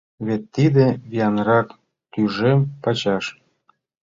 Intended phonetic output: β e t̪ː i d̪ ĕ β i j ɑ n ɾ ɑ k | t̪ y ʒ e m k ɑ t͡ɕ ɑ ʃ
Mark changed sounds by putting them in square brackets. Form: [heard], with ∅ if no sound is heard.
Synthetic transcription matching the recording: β e t̪ː i d̪ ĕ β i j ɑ n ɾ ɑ k | t̪ y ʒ e m [p] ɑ t͡ɕ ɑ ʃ